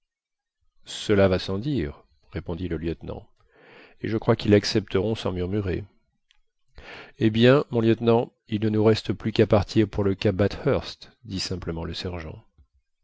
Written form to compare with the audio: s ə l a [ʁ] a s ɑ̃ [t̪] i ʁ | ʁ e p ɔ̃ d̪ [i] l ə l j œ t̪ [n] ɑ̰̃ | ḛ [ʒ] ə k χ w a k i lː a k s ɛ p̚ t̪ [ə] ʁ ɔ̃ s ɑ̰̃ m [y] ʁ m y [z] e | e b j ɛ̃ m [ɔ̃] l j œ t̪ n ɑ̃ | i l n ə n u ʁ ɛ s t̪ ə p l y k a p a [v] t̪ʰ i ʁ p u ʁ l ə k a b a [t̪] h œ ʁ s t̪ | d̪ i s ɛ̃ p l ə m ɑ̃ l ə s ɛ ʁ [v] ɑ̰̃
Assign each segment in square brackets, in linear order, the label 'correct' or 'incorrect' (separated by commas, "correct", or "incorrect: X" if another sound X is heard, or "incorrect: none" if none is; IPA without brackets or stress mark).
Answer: incorrect: v, incorrect: d̪, correct, correct, correct, correct, correct, incorrect: ʁ, correct, incorrect: ʁ, correct, incorrect: ʒ